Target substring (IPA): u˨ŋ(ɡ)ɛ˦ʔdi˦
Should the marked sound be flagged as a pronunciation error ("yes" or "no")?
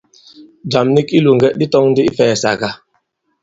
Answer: no